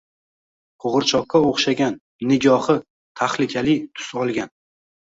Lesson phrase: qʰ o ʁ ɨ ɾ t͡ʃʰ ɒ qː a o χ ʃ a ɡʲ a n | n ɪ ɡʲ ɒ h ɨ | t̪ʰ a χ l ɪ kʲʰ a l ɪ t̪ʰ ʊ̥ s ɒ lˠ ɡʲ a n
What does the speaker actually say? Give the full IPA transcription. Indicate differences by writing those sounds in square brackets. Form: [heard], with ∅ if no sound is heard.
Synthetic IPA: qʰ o ʁ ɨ ɾ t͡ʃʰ ɒ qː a o χ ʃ a ɡʲ a n | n ɪ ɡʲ ɒ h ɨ | t̪ʰ a χ l ɪ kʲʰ a l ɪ t̪ʰ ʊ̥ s ɒ lˠ ɡʲ a n